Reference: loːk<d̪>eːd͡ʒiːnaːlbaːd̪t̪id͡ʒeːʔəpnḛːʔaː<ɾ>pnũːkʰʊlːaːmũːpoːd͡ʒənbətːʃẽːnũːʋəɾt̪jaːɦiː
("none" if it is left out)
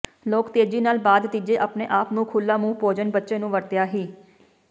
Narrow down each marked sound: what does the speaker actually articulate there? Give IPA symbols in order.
t̪, none

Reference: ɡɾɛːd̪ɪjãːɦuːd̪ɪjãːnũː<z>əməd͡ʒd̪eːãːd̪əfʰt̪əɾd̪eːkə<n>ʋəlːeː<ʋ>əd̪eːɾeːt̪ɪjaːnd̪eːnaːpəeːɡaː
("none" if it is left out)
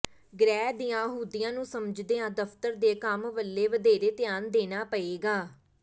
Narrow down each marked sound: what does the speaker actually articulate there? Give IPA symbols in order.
s, m, ʋ

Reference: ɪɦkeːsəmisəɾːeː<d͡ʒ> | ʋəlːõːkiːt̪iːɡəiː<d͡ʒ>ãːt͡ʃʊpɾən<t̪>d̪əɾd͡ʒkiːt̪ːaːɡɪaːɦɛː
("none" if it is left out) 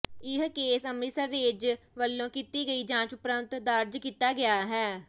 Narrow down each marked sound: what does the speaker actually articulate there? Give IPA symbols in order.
d͡ʒ, d͡ʒ, t̪

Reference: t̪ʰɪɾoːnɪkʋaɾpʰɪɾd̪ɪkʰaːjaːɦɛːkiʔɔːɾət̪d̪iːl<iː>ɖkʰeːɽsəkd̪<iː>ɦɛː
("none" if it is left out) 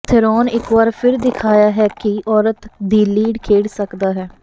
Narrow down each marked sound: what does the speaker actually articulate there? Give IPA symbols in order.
iː, aː

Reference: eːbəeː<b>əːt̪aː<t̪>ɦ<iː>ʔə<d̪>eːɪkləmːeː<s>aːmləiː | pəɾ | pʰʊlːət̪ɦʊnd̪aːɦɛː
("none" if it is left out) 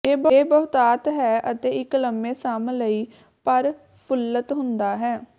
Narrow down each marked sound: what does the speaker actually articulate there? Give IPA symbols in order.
b, t̪, ɛː, t̪, s

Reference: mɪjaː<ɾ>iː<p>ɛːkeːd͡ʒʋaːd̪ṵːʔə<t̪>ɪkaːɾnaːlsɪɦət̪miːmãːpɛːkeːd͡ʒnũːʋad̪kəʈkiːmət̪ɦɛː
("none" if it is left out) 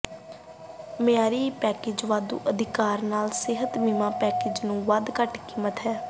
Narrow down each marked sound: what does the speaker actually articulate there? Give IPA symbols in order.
ɾ, p, d̪

